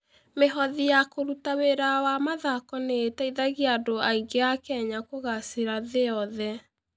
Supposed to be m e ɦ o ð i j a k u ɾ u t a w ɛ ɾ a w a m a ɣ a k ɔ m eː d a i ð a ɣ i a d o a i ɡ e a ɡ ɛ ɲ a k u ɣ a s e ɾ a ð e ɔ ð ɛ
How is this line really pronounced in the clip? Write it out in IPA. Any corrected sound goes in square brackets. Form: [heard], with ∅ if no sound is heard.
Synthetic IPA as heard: m e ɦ [ɔ] ð i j a k [o] ɾ u t a w [e] ɾ a w a m a [ð] a k ɔ [n] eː [t] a i ð a ɣ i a d o a i ɡ e a [k] ɛ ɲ a k [o] ɣ a s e ɾ a ð e ɔ ð ɛ

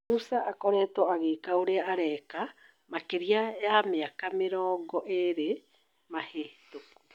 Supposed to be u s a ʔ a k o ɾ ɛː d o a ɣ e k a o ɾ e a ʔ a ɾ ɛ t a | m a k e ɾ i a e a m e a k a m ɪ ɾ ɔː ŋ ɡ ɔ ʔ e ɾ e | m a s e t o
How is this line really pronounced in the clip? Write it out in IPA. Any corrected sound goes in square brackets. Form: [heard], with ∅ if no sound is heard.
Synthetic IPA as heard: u s a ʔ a k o ɾ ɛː [t] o a ɣ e k a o ɾ e a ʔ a ɾ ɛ [k] a | m a k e ɾ i a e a m e a k a m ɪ ɾ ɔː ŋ ɡ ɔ ʔ e ɾ e | m a [h] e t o

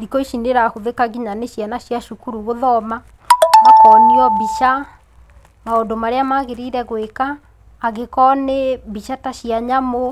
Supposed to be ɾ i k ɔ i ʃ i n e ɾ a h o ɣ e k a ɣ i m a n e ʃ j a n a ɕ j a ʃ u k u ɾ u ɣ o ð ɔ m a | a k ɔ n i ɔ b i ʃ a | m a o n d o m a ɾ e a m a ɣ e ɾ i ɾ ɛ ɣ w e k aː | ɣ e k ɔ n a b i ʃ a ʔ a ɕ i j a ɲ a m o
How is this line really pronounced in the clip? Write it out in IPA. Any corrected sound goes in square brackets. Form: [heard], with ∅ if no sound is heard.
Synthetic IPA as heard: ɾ i k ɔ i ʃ i n e ɾ a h o [ð] e k a ɣ i [ɲ] a n e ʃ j a n a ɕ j a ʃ u k u ɾ u ɣ o ð ɔ m a | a k ɔ n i ɔ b i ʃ a | m a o n d o m a ɾ e a m a ɣ e ɾ i ɾ ɛ ɣ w e k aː | ɣ e k ɔ n [e] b i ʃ a [t] a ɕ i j a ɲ a m o

